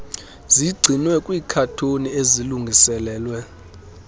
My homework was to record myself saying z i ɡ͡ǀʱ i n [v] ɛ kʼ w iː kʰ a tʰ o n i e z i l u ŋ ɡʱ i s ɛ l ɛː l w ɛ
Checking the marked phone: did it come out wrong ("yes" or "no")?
yes